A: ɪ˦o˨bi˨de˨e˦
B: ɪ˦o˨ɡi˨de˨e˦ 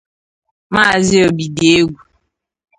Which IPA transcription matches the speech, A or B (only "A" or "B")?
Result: A